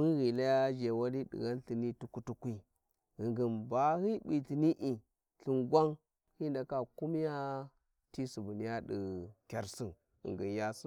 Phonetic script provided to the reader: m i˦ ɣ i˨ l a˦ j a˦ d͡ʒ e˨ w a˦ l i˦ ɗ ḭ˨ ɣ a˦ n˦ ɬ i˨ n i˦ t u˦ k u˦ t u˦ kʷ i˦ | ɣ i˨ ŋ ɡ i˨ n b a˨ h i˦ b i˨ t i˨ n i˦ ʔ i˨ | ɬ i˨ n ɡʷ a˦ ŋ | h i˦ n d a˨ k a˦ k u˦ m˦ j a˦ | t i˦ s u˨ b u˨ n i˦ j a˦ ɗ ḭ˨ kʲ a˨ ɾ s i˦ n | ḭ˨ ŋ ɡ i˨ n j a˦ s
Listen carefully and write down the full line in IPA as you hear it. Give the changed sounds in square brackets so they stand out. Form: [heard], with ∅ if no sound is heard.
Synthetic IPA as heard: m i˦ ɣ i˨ l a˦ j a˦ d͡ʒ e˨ w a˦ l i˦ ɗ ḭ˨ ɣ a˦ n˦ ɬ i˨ n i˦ t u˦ k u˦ t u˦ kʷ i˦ | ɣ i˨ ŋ ɡ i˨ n b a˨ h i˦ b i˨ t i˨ n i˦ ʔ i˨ | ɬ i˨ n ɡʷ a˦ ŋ | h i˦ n d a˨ k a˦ k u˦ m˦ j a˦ | t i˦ s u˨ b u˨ n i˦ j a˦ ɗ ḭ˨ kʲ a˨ ɾ s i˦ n | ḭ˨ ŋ ɡ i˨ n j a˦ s